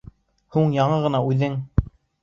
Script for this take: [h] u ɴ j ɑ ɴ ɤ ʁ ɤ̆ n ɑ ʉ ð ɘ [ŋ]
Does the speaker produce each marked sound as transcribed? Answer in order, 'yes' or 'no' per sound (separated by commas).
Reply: yes, yes